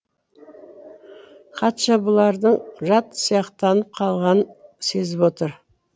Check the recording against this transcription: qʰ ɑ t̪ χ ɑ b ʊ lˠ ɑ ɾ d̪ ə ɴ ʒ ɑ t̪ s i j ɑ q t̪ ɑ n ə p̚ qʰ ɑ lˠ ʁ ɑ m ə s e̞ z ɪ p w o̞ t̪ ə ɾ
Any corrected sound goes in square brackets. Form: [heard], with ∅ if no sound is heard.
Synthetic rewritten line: qʰ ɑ t̪ [ʃ] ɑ b ʊ lˠ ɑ ɾ d̪ ə ɴ ʒ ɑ t̪ s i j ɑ q t̪ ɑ n ə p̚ qʰ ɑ lˠ ʁ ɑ [n] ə s e̞ z ɪ p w o̞ t̪ ə ɾ